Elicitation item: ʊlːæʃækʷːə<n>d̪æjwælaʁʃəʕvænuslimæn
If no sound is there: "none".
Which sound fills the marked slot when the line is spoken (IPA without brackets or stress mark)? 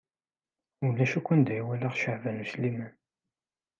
n